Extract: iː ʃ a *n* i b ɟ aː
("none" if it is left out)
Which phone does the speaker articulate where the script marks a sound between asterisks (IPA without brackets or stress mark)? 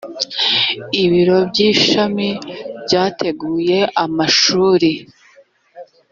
m